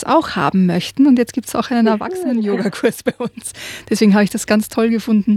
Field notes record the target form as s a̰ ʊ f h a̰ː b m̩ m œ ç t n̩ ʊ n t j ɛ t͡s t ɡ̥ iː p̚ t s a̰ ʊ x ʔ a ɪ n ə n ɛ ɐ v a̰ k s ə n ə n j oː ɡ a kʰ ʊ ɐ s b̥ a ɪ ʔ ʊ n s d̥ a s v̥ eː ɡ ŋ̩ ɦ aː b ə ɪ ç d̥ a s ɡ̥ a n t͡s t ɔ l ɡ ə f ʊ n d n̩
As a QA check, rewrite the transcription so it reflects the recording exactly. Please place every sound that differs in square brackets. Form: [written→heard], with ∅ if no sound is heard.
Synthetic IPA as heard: s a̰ ʊ [f→x] h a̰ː b m̩ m œ ç t n̩ ʊ n t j ɛ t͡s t ɡ̥ iː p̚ t s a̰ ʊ x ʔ a ɪ n ə n ɛ ɐ v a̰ k s ə n ə n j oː ɡ a kʰ ʊ ɐ s b̥ a ɪ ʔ ʊ n s d̥ [a→ɛ] s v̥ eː ɡ ŋ̩ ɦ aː b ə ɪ ç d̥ a s ɡ̥ a n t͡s [t→tʰ] ɔ l ɡ ə f ʊ n d n̩